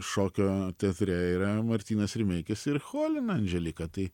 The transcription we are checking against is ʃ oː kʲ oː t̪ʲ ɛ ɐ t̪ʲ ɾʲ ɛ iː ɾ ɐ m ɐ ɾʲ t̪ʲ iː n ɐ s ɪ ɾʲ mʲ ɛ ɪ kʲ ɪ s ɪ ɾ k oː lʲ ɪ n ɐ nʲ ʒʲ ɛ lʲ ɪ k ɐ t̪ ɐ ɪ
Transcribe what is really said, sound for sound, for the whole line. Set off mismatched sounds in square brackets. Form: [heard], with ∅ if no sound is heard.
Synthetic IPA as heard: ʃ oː kʲ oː t̪ʲ ɛ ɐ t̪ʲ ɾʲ ɛ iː ɾ ɐ m ɐ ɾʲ t̪ʲ iː n ɐ s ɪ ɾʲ mʲ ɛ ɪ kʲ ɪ s ɪ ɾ [x] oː lʲ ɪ n ɐ nʲ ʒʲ ɛ lʲ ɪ k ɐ t̪ ɐ ɪ